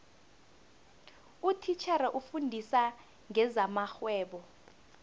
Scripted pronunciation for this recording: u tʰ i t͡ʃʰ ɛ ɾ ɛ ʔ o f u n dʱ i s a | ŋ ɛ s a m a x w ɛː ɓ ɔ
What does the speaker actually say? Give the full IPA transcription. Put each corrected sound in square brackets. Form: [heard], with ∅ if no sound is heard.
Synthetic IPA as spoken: u tʰ i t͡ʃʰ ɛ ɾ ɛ ʔ [u] f u n dʱ i s a | ŋ ɛ [z] a m a x w ɛː ɓ ɔ